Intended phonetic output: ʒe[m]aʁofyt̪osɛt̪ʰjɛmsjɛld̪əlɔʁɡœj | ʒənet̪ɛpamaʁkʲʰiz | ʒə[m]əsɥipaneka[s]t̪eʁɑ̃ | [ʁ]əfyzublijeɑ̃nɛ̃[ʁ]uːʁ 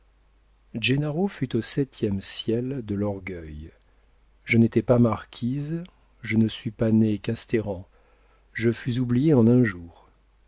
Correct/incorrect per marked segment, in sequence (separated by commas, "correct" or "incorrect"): incorrect, incorrect, correct, incorrect, incorrect